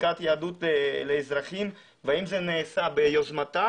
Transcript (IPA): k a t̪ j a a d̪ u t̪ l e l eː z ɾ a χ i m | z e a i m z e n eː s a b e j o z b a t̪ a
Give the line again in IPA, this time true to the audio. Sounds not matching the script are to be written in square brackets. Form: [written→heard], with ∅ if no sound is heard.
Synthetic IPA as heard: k a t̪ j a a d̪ u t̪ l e l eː z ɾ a χ i m | [z→v] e a i m z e n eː s a b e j o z [b→m] a t̪ a